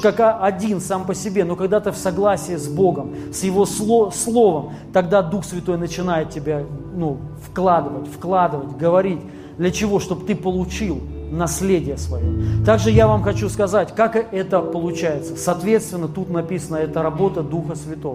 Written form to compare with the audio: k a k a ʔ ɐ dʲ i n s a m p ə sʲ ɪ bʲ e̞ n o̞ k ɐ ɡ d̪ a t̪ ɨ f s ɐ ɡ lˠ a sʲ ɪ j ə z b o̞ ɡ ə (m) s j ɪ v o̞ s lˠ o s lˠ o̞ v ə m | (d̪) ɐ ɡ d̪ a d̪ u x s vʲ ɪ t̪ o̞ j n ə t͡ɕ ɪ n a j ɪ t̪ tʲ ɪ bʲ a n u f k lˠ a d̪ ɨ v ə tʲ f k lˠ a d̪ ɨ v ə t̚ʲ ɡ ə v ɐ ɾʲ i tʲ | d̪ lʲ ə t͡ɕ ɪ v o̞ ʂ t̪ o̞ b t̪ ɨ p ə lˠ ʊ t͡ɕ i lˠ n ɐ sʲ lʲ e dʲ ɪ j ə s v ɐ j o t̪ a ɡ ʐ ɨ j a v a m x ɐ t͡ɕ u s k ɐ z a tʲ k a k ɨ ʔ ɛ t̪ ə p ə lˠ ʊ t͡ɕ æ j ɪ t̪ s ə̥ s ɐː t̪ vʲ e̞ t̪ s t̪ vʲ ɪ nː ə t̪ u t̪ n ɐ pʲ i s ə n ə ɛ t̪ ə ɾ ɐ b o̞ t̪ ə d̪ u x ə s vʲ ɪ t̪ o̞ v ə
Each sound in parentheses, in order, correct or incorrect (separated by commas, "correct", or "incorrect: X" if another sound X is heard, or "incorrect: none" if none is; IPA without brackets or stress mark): correct, incorrect: t̪